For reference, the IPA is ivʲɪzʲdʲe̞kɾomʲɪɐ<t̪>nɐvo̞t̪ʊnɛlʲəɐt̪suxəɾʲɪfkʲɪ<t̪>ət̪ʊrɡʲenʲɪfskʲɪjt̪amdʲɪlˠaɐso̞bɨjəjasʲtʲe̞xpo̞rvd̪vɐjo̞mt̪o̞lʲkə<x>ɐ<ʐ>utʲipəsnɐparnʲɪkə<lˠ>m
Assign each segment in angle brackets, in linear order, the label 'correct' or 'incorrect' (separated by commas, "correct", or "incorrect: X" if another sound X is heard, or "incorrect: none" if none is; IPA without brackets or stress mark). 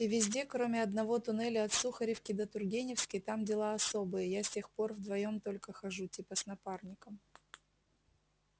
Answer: incorrect: d̪, incorrect: d̪, correct, correct, incorrect: none